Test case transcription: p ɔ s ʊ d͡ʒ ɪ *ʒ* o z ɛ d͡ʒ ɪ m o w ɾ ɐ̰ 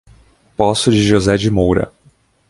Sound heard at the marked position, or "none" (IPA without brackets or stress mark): ʒ